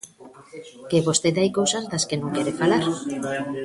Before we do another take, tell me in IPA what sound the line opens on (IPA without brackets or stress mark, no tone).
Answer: k